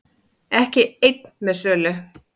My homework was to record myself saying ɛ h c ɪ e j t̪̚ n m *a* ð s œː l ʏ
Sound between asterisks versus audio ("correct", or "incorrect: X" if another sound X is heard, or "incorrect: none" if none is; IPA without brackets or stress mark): incorrect: ɛ